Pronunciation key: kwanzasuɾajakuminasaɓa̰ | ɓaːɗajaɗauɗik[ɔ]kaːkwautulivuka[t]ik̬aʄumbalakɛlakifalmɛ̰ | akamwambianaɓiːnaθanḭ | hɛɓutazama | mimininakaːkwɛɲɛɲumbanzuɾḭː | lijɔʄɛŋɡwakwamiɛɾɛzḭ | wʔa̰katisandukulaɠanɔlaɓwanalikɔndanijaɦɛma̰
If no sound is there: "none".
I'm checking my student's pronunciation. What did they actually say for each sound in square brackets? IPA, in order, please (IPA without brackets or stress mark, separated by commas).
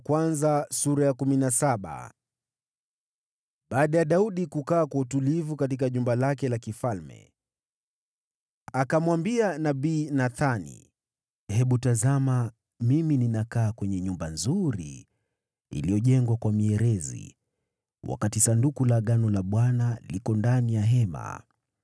u, t